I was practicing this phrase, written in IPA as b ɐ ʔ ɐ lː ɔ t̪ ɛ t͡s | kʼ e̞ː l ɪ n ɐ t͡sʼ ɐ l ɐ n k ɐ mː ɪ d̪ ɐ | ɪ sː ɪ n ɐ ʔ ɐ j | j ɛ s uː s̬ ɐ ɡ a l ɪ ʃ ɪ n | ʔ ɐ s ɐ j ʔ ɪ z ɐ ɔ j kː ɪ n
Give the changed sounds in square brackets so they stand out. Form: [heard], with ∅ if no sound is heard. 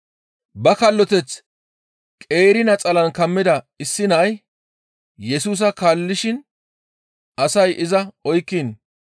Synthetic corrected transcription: b ɐ [k] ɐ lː ɔ t̪ ɛ t͡s | kʼ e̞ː [ɾ] ɪ n ɐ t͡sʼ ɐ l ɐ n k ɐ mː ɪ d̪ ɐ | ɪ sː ɪ n ɐ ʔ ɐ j | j ɛ s uː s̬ ɐ [k] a [lː] ɪ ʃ ɪ n | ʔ ɐ s ɐ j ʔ ɪ z ɐ ɔ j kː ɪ n